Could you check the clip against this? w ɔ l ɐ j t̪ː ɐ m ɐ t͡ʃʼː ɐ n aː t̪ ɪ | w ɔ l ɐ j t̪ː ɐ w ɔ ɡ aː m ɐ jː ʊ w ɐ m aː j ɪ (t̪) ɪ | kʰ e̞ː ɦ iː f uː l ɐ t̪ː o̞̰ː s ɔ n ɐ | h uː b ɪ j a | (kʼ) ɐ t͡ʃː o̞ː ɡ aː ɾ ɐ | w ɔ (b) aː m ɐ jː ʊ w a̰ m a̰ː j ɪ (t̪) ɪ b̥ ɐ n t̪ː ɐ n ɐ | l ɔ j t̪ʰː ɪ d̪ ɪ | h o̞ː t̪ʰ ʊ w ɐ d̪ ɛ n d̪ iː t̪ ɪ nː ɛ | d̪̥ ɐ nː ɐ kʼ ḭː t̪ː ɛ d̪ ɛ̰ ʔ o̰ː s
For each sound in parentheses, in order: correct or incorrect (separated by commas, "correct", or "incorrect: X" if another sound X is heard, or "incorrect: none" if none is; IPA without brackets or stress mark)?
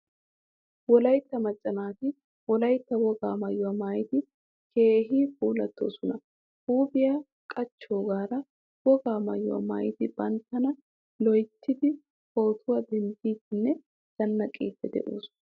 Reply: correct, correct, incorrect: ɡ, correct